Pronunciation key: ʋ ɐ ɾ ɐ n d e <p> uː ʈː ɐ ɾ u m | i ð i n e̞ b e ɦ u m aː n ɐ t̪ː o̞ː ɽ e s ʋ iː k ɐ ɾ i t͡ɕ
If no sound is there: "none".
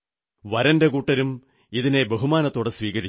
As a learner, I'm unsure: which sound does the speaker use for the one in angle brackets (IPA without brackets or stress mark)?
k